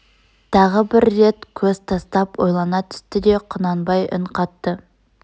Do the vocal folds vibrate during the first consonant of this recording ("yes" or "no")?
no